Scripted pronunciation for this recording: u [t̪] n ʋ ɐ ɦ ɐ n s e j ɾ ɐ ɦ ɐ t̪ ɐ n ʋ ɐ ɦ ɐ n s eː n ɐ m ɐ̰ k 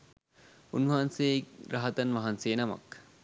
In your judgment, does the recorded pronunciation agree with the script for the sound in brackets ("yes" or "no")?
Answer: no